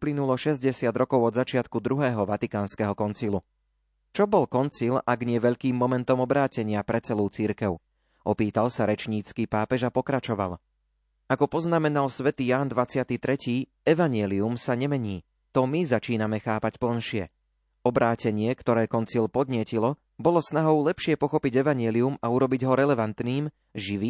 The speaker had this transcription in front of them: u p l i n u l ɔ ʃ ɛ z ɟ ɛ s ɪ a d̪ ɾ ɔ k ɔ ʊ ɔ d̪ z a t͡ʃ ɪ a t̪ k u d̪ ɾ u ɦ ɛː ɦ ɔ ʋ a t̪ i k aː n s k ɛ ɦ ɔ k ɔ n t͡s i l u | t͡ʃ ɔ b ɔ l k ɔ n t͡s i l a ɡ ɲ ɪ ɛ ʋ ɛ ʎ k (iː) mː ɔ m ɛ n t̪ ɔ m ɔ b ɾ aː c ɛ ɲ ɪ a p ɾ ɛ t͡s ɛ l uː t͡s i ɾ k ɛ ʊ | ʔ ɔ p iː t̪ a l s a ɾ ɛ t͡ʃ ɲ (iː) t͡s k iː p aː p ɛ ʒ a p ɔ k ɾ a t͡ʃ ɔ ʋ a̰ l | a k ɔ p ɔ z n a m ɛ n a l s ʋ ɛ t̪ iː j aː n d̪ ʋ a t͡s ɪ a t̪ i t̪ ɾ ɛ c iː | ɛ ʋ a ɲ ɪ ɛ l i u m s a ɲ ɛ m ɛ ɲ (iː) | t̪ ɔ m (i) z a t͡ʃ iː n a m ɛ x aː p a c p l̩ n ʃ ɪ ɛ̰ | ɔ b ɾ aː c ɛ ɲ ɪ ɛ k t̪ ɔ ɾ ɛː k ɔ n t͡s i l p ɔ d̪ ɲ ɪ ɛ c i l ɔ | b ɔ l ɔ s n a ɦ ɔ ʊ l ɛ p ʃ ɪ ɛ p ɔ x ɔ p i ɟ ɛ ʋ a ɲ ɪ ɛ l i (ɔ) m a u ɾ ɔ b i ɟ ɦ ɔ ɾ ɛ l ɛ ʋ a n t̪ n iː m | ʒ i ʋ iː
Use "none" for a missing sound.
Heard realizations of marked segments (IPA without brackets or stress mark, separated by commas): iː, iː, iː, i, u